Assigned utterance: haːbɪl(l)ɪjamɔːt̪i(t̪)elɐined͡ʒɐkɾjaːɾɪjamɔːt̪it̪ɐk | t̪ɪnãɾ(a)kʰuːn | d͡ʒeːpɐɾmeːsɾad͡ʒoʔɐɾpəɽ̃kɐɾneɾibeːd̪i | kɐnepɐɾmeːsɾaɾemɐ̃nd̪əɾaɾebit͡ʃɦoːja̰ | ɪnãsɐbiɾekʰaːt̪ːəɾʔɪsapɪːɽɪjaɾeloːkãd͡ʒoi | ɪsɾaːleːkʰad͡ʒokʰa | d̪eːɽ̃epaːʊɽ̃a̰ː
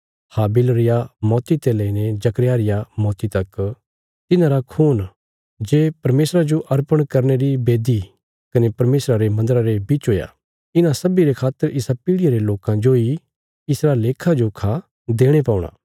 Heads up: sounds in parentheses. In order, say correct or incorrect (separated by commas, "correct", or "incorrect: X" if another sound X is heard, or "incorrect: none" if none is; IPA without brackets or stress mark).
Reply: incorrect: ɾ, correct, correct